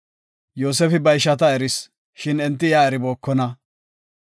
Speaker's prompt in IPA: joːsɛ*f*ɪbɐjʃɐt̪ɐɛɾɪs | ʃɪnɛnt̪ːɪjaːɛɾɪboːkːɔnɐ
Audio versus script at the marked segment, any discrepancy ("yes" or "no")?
no